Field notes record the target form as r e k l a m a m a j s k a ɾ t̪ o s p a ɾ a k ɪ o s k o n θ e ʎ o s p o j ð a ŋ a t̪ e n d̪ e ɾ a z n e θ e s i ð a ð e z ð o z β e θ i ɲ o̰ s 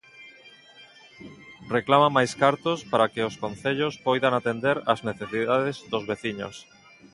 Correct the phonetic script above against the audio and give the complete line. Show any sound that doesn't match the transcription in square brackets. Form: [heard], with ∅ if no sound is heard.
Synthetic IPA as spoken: r e k l a m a m a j s k a ɾ t̪ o s p a ɾ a k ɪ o s k o n θ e ʎ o s p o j ð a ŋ a t̪ e n d̪ e ɾ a z n e θ e s i ð a ð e z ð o z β e θ i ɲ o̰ s